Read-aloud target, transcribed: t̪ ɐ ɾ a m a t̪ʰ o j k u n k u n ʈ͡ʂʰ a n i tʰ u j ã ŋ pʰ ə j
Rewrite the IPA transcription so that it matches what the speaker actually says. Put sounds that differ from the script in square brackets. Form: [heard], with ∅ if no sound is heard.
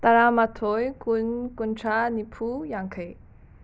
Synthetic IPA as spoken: t̪ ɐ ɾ a m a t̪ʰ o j k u n k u n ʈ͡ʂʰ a n i [pʰ] u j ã ŋ [kʰ] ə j